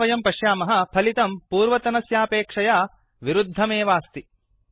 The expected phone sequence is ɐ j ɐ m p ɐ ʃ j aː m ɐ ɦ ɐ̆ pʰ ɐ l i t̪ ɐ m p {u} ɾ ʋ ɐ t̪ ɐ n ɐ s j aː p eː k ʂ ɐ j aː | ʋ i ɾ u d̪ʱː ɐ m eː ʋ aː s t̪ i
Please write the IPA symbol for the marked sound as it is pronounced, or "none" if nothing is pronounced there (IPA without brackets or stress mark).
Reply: uː